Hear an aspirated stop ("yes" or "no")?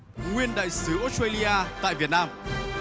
no